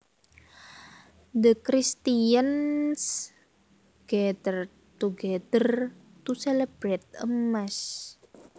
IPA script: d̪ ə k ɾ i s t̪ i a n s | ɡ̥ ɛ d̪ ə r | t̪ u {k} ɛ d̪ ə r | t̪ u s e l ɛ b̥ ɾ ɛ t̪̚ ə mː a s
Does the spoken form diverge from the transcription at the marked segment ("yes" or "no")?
yes